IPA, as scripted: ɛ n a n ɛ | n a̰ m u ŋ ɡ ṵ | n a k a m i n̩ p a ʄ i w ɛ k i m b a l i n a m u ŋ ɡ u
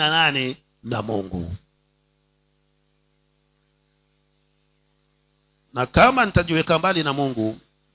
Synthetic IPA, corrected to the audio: a n a n ɛ | n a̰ m u ŋ ɡ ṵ | n a k a m a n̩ t a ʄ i w ɛ k a m b a l i n a m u ŋ ɡ u